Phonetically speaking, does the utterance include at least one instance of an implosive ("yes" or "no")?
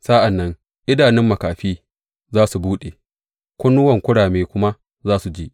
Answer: yes